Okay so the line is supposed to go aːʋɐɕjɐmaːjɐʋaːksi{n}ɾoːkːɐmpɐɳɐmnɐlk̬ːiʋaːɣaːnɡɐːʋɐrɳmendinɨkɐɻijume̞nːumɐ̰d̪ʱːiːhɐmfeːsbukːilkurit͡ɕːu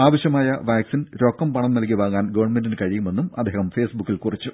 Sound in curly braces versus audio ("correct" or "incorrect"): correct